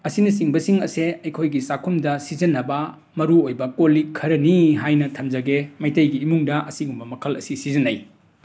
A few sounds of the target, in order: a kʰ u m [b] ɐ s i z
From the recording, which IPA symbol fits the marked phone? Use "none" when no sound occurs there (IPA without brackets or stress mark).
d